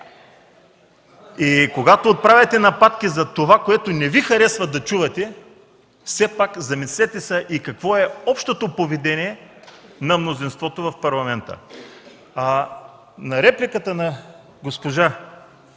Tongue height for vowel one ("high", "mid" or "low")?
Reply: high